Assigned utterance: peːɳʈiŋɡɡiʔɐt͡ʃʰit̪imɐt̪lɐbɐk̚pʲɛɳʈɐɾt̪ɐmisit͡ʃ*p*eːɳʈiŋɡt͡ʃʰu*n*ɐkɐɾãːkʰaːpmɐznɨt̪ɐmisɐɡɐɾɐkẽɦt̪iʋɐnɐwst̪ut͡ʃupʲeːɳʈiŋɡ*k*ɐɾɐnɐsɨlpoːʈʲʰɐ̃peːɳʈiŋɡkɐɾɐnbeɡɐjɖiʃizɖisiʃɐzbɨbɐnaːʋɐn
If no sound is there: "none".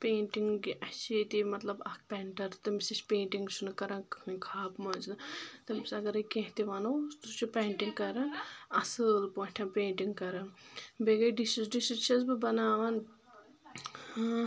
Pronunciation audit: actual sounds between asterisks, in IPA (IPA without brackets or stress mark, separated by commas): p, n, k